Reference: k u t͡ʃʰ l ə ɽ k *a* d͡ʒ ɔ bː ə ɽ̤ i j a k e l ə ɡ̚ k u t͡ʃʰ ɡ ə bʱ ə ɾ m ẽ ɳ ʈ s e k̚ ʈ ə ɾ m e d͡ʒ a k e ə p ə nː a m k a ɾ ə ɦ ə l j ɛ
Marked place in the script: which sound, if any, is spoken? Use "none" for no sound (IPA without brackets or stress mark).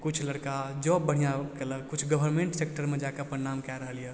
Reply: a